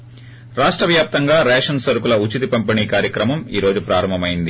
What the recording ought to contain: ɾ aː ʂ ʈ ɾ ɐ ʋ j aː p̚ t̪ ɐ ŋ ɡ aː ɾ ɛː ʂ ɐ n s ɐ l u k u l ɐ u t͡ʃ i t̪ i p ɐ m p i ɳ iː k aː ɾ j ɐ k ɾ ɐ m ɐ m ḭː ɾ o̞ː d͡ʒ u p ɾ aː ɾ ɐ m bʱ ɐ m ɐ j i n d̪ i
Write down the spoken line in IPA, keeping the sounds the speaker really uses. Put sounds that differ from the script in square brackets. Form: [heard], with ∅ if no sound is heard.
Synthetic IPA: ɾ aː ʂ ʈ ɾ ɐ ʋ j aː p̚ t̪ ɐ ŋ ɡ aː ɾ ɛː ʂ ɐ n s ɐ [ɾ] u k u l ɐ u t͡ʃ i t̪ i p ɐ m p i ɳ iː k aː ɾ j ɐ k ɾ ɐ m ɐ m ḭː ɾ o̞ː d͡ʒ u p ɾ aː ɾ ɐ m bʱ ɐ m ɐ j i n d̪ i